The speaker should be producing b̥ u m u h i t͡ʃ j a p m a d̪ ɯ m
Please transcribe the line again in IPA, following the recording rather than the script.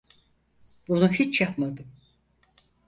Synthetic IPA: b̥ u n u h i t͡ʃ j a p m a d̪ ɯ m